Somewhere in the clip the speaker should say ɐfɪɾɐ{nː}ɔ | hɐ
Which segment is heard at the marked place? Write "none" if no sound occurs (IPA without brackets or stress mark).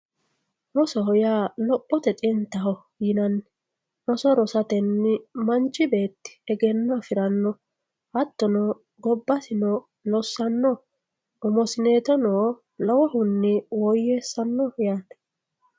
nː